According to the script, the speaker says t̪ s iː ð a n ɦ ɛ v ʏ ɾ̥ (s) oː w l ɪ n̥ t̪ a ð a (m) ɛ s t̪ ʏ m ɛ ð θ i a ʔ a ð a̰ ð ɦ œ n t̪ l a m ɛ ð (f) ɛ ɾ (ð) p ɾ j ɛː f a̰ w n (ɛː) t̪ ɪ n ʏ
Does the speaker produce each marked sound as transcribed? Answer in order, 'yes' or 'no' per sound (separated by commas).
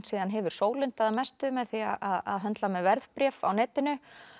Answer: yes, yes, no, yes, yes